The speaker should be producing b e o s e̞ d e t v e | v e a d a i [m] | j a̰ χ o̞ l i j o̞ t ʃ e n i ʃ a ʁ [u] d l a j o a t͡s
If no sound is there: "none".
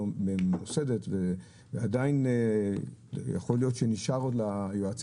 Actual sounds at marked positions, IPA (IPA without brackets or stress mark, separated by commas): n, o